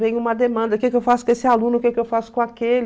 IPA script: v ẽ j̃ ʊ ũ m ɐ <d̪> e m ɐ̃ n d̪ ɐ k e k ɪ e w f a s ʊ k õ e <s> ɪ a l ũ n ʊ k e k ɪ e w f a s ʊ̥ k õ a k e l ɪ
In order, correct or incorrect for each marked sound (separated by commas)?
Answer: correct, correct